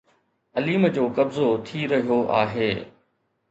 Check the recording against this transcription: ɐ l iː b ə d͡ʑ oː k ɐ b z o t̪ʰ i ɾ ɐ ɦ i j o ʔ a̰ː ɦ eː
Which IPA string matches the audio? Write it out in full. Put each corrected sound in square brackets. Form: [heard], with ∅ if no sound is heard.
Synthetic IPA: ɐ l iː [m] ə d͡ʑ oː k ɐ b z o t̪ʰ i ɾ ɐ ɦ i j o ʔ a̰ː ɦ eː